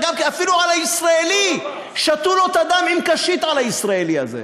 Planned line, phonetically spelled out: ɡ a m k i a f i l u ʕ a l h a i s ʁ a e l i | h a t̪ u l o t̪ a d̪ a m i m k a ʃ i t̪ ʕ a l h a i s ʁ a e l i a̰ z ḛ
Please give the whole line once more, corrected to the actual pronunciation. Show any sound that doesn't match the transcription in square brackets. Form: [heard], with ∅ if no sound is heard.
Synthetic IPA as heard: ɡ a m k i a f i l u ʕ a l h a i s ʁ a e l i | [ʃ] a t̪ u l o t̪ a d̪ a m i m k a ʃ i t̪ ʕ a l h a i s ʁ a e l i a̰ z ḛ